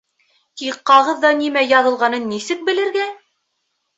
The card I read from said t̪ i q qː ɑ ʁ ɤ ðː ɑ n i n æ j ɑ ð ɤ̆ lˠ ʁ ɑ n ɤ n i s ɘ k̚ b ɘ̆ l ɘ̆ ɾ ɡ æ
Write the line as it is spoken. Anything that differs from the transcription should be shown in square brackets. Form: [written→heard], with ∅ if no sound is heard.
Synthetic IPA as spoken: t̪ i q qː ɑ ʁ ɤ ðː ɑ n i [n→m] æ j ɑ ð ɤ̆ lˠ ʁ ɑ n ɤ [n→nː] i s ɘ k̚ b ɘ̆ l ɘ̆ ɾ ɡ æ